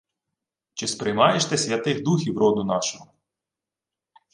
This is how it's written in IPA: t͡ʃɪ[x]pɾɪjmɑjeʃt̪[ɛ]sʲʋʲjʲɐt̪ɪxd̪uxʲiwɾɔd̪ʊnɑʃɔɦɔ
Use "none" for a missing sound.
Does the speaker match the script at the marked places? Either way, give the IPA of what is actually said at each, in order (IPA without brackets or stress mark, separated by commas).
s, ɛ